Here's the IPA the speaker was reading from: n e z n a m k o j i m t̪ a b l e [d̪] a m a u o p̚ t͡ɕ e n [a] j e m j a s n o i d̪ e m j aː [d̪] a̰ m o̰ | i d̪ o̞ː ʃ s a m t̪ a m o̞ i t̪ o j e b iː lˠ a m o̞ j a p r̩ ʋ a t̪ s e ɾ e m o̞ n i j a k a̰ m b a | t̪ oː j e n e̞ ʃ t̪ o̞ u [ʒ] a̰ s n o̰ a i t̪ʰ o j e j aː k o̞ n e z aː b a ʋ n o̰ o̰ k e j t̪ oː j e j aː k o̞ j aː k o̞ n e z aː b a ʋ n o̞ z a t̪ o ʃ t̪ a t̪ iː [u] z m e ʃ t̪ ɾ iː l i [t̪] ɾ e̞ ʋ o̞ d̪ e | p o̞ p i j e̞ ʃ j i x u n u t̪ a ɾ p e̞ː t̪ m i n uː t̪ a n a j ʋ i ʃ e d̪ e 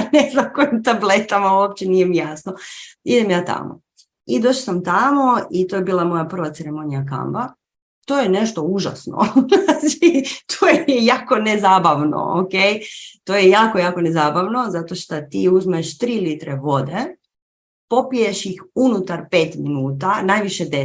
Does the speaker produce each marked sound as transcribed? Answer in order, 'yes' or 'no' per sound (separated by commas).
no, no, no, yes, yes, yes